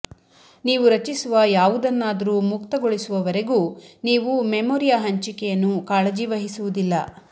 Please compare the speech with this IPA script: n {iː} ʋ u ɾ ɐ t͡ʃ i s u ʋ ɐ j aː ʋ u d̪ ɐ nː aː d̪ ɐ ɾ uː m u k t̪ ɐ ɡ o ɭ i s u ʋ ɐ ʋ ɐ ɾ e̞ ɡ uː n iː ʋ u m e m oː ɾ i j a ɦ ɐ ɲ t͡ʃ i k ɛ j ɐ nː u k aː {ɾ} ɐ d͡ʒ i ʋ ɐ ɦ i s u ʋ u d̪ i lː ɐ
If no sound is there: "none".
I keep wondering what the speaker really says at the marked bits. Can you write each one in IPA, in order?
iː, ɭ

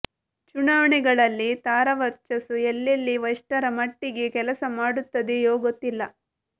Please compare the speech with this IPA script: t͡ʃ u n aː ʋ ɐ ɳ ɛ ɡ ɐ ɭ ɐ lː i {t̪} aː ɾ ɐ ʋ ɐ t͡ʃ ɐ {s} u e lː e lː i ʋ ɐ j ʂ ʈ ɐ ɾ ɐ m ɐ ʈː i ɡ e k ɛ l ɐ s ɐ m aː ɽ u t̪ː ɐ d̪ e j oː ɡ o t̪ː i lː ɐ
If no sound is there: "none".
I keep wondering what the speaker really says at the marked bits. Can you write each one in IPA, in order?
t̪, s

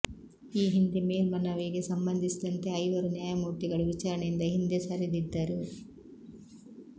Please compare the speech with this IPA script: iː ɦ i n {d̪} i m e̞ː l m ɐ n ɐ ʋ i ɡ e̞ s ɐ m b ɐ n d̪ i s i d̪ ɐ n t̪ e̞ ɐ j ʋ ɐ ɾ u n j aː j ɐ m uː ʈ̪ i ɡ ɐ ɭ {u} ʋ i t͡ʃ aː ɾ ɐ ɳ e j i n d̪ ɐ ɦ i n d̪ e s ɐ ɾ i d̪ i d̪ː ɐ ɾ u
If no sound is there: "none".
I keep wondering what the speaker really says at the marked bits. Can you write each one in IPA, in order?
d̪, u

